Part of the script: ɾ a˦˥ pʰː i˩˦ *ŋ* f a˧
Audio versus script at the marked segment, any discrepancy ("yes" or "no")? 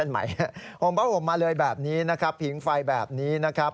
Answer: no